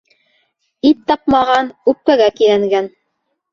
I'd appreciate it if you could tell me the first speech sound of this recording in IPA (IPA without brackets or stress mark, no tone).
i